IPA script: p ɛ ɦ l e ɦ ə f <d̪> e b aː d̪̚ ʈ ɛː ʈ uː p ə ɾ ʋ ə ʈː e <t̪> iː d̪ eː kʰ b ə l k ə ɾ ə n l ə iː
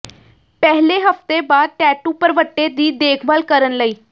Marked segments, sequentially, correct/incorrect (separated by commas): incorrect, incorrect